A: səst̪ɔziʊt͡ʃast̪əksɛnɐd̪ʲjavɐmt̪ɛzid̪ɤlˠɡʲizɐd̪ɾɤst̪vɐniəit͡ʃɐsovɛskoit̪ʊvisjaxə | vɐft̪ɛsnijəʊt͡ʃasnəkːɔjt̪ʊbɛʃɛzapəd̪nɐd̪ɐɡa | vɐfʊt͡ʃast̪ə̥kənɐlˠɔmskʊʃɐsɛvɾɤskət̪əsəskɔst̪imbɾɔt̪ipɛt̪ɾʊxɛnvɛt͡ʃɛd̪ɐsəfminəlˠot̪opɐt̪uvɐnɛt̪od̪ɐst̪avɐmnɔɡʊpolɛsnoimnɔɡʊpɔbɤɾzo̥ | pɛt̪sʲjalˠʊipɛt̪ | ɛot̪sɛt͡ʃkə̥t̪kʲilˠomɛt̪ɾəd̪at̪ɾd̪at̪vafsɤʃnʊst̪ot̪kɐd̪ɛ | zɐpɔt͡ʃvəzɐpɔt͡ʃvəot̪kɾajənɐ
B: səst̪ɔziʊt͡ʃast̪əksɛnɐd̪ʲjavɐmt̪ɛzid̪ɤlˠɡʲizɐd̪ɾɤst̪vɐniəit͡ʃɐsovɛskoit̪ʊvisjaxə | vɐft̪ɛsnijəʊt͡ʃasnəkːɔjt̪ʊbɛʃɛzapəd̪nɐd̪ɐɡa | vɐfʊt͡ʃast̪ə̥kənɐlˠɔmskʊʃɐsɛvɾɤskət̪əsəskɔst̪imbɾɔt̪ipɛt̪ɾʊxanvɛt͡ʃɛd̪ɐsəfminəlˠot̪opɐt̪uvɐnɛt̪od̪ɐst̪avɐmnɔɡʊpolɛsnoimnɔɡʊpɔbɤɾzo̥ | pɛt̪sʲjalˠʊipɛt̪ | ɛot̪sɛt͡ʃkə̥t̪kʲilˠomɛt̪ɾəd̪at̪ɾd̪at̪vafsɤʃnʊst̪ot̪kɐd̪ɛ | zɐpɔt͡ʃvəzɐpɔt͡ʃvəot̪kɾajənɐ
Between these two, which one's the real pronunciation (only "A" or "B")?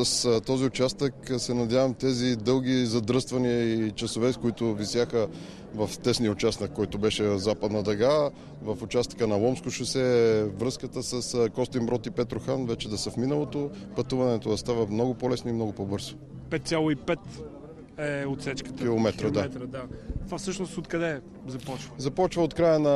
B